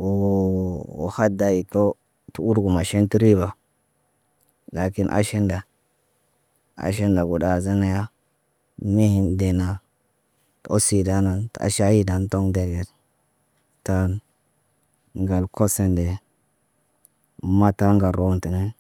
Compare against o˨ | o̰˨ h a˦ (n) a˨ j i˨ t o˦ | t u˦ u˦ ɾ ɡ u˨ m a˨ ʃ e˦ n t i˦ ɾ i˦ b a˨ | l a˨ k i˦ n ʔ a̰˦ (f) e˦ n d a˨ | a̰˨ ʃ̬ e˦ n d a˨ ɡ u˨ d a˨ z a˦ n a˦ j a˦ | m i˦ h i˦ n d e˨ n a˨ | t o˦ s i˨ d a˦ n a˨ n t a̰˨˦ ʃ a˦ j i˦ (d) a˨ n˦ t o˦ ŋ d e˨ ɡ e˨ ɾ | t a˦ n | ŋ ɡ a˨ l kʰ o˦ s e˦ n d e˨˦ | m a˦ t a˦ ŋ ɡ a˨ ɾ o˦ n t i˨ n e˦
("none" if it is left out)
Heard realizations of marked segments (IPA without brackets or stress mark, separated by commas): d, ʃ, d